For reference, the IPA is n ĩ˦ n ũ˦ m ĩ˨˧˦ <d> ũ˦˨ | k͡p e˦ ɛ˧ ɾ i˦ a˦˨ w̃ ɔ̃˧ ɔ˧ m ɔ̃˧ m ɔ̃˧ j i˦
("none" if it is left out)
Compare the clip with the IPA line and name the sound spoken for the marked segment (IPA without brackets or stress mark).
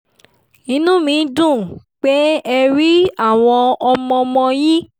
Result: d